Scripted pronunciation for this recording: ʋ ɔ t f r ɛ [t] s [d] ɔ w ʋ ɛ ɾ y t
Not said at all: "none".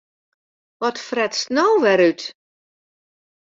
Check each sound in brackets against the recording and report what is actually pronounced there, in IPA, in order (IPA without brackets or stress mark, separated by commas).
t, n